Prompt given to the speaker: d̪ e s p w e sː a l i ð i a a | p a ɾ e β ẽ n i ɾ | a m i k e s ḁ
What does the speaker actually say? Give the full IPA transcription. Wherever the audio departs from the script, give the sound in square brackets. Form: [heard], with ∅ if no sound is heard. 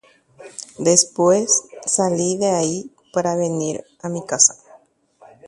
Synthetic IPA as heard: d̪ e s p w e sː a l i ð [e] a [i] | p a ɾ [a] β [e] n i ɾ | a m i k [a] s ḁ